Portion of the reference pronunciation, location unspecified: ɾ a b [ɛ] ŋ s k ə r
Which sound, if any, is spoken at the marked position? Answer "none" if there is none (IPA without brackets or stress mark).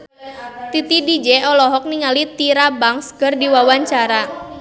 a